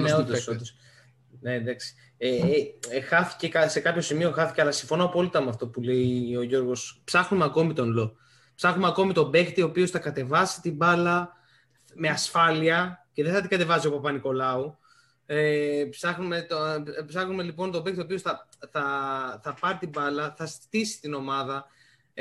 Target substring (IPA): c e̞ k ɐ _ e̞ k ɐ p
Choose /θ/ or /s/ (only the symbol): s